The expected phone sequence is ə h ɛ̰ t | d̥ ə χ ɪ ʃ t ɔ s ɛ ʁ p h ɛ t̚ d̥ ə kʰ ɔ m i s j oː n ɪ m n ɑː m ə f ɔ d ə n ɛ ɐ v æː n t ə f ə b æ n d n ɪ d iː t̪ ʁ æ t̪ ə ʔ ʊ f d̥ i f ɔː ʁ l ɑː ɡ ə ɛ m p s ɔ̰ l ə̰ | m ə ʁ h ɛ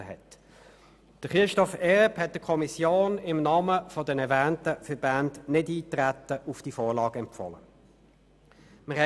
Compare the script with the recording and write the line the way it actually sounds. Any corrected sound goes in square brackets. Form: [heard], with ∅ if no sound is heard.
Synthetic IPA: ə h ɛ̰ t | d̥ ə χ ɪ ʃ t ɔ [f] ɛ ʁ p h ɛ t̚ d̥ ə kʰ ɔ m i s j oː n ɪ m n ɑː m ə f ɔ d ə n ɛ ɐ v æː n t ə f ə b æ n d n ɪ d iː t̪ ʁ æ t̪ ə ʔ ʊ f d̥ i f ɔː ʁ l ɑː ɡ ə ɛ m p [f] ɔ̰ l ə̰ | m ə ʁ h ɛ